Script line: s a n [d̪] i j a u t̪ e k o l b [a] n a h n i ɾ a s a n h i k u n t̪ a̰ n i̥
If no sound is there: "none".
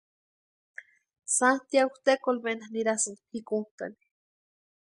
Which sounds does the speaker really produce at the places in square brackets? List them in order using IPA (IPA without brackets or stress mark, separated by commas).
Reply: t̪, e